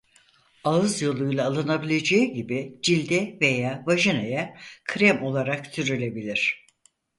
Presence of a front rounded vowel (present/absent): present